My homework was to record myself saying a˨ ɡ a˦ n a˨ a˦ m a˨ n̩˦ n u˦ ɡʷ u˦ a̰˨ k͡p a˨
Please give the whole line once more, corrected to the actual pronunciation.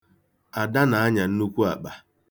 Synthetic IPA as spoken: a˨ d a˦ n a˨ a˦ ɲ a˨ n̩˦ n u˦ kʷ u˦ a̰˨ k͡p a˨